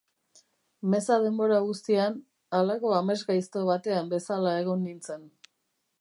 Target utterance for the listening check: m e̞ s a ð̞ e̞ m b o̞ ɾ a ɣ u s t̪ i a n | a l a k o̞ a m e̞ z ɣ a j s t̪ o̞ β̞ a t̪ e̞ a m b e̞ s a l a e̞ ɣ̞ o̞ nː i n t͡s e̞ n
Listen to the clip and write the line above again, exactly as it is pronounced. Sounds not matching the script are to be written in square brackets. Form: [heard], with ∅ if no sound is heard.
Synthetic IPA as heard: m e̞ s a ð̞ e̞ m b o̞ ɾ a ɣ u s t̪ i a n | a l a k o̞ a m e̞ z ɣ a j s t̪ o̞ β̞ a t̪ e̞ a m b e̞ s a l a e̞ ɣ̞ o̞ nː i n t͡s e̞ n

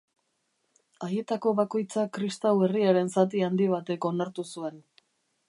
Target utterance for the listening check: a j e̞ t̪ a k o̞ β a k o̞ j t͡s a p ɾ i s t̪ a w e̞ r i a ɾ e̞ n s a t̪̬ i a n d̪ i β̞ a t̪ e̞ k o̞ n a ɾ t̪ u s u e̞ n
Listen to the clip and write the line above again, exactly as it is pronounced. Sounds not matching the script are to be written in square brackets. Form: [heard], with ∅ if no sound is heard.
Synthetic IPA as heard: a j e̞ t̪ a k o̞ β a k o̞ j t͡s a [k] ɾ i s t̪ a w e̞ r i a ɾ e̞ n s a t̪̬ i a n d̪ i β̞ a t̪ e̞ k o̞ n a ɾ t̪ u s u e̞ n

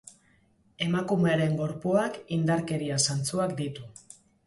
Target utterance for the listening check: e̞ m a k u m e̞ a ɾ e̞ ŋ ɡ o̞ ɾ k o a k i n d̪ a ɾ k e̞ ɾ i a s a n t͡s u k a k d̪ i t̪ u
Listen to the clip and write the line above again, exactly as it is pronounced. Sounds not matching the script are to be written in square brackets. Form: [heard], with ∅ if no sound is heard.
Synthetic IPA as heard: e̞ m a k u m e̞ a ɾ e̞ ŋ ɡ o̞ ɾ [p] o a k i n d̪ a ɾ k e̞ ɾ i a s a n t͡s u [∅] a k d̪ i t̪ u

